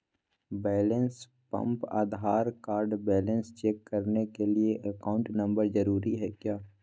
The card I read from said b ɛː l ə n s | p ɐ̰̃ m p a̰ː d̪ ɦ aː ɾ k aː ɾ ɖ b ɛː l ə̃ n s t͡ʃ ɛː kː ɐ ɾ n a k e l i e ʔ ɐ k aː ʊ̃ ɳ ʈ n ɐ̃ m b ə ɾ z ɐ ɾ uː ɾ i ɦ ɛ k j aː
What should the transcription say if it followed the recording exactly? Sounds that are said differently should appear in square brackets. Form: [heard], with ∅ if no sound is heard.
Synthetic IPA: b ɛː l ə n s | p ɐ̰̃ m p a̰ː d̪ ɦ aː ɾ k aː ɾ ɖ b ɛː l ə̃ n s t͡ʃ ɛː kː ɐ ɾ n [e] k e l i e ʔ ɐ k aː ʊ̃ ɳ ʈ n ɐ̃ m b ə ɾ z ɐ ɾ uː ɾ i ɦ ɛ k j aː